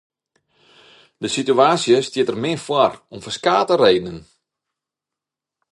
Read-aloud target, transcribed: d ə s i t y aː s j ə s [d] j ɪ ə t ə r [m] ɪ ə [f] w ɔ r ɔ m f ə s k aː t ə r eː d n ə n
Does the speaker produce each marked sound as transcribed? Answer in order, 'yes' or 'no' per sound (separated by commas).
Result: no, yes, yes